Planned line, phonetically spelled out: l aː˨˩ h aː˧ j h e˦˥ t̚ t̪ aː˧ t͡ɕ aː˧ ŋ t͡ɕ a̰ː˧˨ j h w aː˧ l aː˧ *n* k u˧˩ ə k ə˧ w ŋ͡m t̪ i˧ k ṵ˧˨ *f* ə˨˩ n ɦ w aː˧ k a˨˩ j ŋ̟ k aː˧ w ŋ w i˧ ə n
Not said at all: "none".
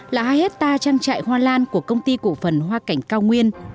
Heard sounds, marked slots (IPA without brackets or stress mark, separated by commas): n, f